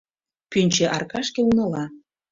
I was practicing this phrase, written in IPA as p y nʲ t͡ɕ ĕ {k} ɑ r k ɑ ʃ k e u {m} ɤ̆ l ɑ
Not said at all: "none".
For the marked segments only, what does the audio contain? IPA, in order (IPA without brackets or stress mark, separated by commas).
ʔ, n